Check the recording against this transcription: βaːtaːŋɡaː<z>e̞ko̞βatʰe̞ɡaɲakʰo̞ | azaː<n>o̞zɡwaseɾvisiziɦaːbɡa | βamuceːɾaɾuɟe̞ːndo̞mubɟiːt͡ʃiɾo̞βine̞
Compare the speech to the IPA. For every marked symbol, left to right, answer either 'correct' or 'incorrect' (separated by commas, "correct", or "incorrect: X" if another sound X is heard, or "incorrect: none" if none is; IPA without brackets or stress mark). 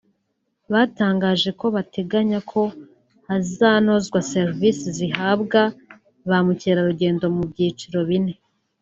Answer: incorrect: ʒ, correct